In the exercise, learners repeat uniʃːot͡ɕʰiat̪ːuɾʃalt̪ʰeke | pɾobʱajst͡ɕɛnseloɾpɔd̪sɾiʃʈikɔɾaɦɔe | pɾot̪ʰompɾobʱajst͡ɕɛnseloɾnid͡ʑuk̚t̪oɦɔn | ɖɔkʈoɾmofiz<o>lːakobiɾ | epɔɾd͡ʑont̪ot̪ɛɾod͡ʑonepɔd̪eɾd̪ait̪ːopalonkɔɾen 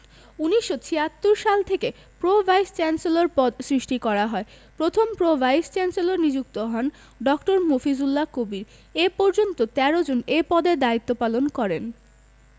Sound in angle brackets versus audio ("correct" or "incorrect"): incorrect